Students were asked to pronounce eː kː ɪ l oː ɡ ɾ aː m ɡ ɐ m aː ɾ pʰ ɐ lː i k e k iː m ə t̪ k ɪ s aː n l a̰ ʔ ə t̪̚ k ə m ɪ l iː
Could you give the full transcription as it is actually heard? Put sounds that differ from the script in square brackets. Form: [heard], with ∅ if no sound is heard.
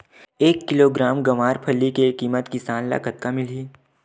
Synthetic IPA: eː kː ɪ l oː ɡ ɾ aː m ɡ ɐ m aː ɾ pʰ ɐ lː i k e k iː m ə t̪ k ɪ s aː n l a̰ [k] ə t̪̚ k [a] m ɪ l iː